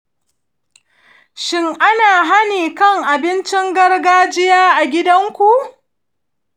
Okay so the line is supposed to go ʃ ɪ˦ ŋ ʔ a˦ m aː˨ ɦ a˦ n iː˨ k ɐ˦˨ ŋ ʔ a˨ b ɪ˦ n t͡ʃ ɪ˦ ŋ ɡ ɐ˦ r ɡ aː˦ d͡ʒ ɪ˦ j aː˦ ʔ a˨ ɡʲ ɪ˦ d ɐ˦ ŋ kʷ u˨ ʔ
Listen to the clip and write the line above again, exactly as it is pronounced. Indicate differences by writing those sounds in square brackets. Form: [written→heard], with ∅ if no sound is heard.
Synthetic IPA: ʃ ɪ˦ ŋ ʔ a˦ [m→n] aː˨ ɦ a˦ n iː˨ k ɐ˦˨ ŋ ʔ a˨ b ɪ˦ n t͡ʃ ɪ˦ ŋ ɡ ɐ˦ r ɡ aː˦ d͡ʒ ɪ˦ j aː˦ ʔ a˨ ɡʲ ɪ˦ d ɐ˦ ŋ kʷ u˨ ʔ